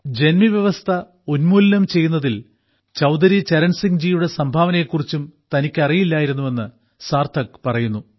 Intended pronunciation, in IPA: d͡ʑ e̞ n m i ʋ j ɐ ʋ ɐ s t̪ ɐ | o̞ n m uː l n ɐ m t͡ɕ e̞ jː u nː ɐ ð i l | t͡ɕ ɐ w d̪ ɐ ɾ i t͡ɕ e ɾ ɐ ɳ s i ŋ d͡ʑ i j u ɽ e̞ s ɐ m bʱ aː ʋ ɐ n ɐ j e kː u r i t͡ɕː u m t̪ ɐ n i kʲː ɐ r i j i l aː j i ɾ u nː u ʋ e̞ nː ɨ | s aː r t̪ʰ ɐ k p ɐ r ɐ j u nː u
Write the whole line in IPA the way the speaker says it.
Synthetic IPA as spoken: d͡ʑ e̞ n m i ʋ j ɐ ʋ ɐ s t̪ʰ ɐ | o̞ n m uː l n ɐ m t͡ɕ e̞ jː u nː ɐ ð i l | t͡ɕ ɐ w d̪ ɐ ɾ i t͡ɕ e ɾ ɐ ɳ s i ŋ d͡ʑ i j u ɽ e̞ s ɐ m bʱ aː ʋ ɐ n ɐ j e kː u r i t͡ɕː u m t̪ ɐ n i kʲː ɐ r i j i lː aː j i ɾ u nː u ʋ e̞ nː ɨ | s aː r t̪ʰ ɐ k p ɐ r ɐ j u nː u